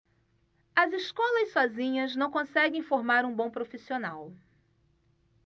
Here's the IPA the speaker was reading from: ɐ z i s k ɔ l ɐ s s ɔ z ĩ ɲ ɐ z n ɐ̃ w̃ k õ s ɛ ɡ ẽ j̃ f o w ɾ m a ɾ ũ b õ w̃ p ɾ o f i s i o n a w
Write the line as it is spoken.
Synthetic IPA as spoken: ɐ z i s k ɔ l ɐ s s ɔ z ĩ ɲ ɐ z n ɐ̃ w̃ k õ s ɛ ɡ ẽ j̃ f o ɾ m a ɾ ũ b õ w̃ p ɾ o f i s i o n a w